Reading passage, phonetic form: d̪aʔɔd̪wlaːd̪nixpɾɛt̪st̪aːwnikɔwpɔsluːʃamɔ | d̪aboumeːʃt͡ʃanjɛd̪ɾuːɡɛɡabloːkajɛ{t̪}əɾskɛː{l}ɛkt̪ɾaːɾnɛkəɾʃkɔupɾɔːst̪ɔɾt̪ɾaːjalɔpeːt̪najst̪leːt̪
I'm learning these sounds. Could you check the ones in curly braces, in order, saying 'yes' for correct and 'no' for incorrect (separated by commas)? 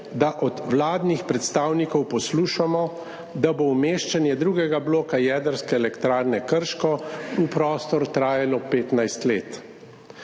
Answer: no, yes